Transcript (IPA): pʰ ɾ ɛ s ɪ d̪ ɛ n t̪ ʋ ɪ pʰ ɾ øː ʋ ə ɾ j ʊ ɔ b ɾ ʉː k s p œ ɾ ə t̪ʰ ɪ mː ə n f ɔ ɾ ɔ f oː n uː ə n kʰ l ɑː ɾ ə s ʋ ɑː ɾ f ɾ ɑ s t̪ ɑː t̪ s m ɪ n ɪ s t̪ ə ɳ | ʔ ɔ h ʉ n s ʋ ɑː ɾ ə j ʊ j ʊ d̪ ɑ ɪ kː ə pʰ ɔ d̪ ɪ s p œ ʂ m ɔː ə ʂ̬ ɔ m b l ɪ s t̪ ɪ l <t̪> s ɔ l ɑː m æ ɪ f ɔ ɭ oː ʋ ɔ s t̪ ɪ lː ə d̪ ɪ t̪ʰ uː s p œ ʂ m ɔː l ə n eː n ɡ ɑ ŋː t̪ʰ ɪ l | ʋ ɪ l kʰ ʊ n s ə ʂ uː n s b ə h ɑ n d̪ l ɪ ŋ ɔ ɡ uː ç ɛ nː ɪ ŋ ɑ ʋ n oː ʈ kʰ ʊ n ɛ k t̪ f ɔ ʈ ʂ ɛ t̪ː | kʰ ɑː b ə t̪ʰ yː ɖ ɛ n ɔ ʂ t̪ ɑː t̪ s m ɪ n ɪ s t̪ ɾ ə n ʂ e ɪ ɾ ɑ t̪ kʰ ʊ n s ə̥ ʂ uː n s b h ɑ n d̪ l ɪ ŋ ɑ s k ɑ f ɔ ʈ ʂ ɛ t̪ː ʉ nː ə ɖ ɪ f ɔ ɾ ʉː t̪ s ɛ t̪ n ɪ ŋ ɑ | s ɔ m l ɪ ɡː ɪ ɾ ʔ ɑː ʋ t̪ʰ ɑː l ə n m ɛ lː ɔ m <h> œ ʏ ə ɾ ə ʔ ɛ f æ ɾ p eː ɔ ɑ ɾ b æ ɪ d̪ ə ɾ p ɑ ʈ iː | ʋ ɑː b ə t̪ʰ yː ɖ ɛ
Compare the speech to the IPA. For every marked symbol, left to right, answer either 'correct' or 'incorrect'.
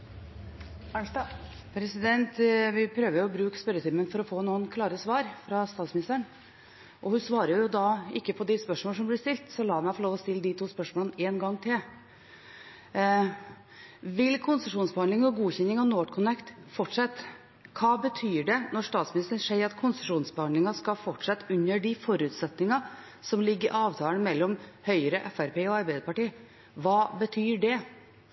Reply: correct, correct

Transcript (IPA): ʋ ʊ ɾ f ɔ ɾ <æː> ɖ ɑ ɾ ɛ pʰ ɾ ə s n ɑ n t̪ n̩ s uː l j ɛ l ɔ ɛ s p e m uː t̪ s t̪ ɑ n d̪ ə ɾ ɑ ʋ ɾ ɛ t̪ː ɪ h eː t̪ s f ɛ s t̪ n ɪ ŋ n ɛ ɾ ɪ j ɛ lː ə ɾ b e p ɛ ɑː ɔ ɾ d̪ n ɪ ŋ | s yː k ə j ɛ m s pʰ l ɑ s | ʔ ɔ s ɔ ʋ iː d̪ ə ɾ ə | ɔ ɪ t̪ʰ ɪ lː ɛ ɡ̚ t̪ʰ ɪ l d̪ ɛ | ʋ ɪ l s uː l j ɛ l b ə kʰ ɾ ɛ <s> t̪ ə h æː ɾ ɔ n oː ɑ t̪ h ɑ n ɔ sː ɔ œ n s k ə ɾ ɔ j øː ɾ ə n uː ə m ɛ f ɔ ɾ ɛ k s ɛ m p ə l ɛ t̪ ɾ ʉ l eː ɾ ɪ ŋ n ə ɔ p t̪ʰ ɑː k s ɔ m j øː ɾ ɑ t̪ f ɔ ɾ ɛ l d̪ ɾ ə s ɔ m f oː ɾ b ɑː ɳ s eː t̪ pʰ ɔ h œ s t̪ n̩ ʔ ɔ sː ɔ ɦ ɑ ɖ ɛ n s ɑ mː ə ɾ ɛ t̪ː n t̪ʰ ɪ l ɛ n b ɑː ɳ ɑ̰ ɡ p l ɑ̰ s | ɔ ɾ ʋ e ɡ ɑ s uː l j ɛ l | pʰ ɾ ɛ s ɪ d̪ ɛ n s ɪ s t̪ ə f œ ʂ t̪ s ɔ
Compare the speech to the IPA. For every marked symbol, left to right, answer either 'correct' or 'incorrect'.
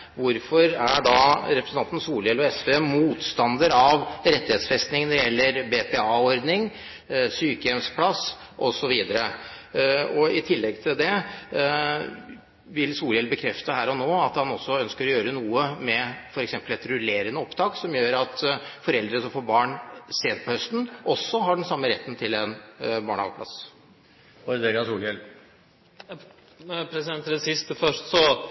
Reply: incorrect: æ, incorrect: f

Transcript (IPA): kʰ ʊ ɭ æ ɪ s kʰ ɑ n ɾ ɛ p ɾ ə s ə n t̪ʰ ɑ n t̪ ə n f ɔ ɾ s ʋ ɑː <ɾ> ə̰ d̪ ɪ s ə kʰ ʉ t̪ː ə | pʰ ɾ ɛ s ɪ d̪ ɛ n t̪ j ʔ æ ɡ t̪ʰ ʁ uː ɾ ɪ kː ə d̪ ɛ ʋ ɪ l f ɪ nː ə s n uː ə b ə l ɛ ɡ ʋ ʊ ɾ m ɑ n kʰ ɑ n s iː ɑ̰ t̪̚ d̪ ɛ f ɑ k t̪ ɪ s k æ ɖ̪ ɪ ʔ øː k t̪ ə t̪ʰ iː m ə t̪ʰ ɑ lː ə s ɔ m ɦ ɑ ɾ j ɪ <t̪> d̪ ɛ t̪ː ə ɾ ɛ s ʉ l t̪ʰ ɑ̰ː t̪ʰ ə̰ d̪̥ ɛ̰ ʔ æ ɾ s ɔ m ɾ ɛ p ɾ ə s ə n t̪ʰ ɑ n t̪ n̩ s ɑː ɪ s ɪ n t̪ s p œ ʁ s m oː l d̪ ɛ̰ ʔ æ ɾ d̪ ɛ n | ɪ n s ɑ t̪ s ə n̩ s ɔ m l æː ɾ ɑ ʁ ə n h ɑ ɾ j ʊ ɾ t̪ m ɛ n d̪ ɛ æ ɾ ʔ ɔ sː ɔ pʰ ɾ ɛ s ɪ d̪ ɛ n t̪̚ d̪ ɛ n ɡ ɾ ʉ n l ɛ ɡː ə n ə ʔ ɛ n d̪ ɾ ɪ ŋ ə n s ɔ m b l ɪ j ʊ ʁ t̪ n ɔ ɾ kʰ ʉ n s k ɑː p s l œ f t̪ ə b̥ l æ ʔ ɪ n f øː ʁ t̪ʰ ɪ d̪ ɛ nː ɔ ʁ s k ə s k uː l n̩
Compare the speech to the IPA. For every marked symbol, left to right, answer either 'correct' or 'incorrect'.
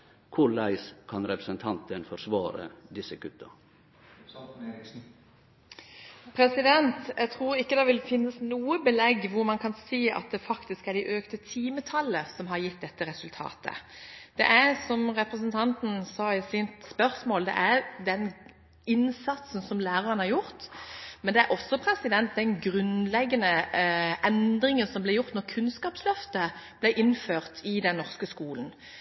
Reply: correct, correct

